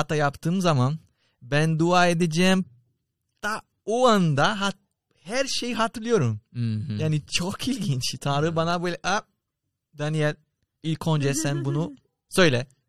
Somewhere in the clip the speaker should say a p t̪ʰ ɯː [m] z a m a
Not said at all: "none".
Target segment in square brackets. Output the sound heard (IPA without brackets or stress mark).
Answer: m